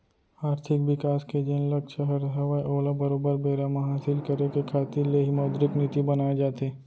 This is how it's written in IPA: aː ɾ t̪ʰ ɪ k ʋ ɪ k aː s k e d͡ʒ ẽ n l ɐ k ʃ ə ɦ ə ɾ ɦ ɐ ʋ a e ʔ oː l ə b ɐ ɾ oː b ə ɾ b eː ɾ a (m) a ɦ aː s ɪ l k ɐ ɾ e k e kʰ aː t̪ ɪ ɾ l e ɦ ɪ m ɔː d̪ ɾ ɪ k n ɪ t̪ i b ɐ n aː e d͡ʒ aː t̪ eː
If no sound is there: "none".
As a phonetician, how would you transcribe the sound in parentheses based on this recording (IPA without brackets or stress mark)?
m